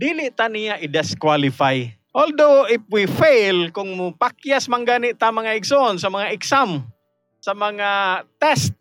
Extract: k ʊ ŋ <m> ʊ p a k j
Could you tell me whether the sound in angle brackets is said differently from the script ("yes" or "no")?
no